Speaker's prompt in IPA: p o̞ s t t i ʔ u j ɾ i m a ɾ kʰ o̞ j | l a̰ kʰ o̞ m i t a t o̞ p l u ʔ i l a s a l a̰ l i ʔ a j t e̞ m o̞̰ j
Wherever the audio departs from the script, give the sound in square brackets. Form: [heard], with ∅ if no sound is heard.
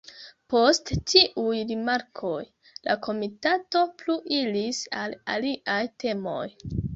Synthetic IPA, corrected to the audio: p o̞ s t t i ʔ u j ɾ i m a ɾ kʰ o̞ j | l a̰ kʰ o̞ m i t a t o̞ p l u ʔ i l [i] s a l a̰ l i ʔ a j t e̞ m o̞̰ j